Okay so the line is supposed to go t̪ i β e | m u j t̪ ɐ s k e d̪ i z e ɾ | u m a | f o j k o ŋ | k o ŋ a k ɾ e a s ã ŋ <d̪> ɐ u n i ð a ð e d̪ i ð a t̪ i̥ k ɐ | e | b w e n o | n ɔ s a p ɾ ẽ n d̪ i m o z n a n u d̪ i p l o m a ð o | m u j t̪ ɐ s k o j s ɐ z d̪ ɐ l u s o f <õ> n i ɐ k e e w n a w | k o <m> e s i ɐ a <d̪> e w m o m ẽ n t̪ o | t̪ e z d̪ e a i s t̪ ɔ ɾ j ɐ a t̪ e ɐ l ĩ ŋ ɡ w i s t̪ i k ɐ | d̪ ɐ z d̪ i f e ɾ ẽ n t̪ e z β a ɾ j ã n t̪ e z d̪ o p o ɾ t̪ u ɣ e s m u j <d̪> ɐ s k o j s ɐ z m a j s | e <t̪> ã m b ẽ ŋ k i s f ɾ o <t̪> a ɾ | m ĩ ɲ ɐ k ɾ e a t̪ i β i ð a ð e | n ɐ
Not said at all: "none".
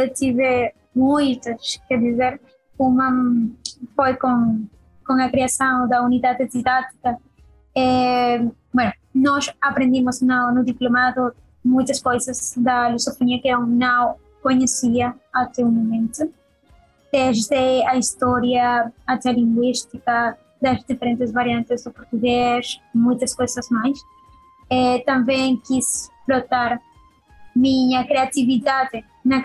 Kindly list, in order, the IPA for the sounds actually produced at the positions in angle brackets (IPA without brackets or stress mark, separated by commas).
d̪, o, ɲ, t̪, t̪, t̪, t̪